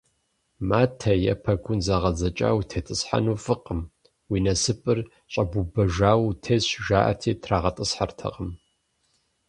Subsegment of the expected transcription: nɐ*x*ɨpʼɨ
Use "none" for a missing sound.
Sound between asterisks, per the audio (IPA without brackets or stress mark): s